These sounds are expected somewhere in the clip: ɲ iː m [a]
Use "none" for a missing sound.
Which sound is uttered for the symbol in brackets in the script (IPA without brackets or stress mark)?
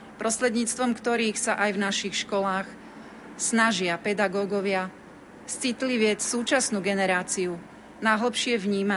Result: a